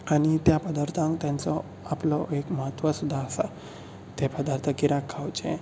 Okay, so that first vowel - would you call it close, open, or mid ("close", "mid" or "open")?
open